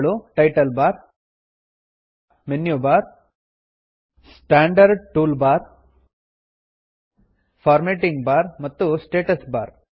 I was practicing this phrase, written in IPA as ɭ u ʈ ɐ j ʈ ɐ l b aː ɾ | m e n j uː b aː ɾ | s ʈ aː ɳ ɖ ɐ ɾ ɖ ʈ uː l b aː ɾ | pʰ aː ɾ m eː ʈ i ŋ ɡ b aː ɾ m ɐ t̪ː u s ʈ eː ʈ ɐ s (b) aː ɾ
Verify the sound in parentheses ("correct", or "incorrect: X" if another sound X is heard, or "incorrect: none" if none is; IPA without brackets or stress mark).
correct